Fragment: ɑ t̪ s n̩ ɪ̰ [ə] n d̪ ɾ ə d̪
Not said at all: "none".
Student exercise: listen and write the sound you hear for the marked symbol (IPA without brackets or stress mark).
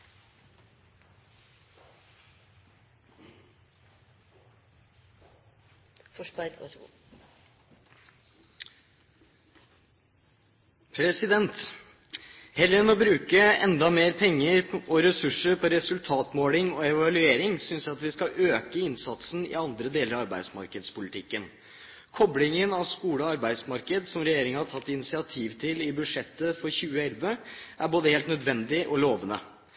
ɑ